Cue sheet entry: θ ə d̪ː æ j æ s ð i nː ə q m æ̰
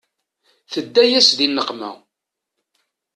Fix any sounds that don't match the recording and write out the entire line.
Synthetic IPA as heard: θ ə d̪ː æ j æ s ð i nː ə q m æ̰